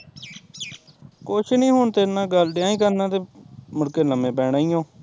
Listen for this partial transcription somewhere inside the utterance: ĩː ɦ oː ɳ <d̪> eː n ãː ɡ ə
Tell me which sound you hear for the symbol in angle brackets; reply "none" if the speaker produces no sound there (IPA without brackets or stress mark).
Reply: t̪